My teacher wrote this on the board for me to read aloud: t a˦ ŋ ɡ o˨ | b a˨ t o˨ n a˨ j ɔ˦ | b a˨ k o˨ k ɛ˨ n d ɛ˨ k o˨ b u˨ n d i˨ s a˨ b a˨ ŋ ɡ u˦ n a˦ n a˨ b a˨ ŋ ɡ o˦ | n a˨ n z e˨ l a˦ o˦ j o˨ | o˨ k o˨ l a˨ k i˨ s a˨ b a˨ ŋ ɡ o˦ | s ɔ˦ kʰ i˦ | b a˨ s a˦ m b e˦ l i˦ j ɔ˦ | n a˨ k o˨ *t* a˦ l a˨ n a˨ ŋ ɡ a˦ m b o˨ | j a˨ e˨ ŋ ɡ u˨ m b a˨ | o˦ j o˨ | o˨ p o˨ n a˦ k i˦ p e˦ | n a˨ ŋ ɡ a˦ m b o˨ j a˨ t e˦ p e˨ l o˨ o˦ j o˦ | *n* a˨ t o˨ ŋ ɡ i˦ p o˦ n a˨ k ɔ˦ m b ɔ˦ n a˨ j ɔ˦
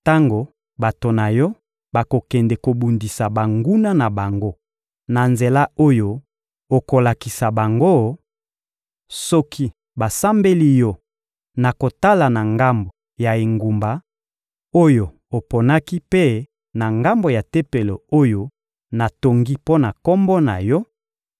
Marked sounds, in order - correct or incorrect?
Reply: correct, correct

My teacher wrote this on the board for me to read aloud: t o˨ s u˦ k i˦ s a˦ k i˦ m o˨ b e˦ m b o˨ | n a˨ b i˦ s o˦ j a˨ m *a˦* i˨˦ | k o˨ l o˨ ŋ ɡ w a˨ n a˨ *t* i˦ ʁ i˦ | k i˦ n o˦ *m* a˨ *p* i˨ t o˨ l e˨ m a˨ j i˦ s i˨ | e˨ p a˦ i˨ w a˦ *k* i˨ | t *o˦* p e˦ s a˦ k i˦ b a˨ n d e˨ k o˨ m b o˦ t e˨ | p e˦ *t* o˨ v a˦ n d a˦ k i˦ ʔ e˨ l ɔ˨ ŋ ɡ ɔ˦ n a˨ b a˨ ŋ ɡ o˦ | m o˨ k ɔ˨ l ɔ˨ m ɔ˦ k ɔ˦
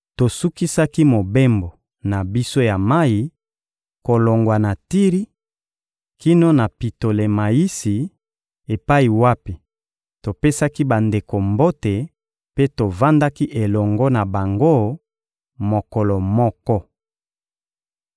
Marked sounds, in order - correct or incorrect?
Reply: correct, correct, incorrect, correct, incorrect, incorrect, correct

